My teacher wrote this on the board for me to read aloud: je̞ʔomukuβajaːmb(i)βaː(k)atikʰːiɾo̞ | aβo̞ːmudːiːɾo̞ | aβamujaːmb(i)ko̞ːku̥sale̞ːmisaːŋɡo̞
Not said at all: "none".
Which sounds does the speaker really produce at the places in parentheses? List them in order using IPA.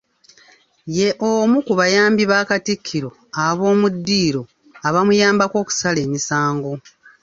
i, k, a

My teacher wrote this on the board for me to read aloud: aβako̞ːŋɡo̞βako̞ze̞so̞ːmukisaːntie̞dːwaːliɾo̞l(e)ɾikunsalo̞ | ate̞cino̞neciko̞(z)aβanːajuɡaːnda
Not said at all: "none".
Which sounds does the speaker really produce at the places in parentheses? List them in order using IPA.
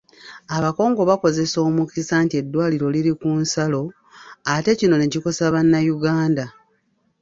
i, s

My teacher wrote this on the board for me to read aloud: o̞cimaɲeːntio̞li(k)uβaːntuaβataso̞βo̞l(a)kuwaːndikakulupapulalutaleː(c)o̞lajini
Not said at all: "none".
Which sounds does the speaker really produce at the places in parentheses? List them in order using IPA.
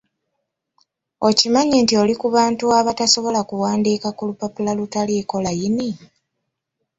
k, a, k

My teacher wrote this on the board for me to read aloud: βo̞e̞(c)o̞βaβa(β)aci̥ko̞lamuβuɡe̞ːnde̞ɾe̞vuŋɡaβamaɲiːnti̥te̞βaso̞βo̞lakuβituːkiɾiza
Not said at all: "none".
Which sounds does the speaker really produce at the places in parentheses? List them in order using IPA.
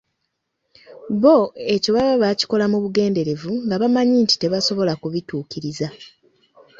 c, β

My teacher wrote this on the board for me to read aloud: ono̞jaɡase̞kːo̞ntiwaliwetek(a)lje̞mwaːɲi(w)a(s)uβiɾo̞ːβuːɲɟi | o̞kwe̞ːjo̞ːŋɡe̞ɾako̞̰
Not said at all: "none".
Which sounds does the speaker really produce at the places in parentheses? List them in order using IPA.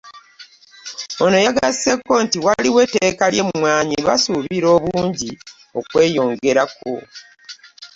a, β, s

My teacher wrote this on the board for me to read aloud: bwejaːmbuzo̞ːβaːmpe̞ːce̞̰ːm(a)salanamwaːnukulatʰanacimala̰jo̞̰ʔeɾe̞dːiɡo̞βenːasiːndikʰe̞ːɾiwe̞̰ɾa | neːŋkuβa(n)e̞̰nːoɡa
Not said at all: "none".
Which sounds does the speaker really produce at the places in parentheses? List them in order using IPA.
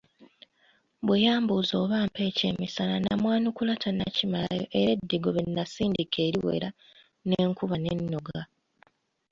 i, n

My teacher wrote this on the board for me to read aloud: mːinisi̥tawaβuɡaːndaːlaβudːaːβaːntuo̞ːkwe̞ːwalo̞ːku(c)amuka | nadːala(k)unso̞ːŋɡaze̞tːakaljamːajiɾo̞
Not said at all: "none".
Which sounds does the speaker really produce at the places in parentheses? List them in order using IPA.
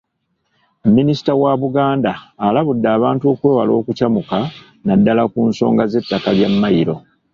c, k

